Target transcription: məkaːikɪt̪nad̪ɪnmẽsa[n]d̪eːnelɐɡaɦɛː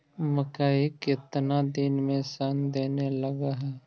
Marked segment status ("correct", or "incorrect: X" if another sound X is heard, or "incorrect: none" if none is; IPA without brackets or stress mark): correct